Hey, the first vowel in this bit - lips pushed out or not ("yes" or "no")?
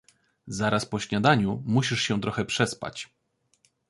no